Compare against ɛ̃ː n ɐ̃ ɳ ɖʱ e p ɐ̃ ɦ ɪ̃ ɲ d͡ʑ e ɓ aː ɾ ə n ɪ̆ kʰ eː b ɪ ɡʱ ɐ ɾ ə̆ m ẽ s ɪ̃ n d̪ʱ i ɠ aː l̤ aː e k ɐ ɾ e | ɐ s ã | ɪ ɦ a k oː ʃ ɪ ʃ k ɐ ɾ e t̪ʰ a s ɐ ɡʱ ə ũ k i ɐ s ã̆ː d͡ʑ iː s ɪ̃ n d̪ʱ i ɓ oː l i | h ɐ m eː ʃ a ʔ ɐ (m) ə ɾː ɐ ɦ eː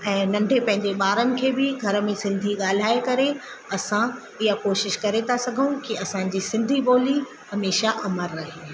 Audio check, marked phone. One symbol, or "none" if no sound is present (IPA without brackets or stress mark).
m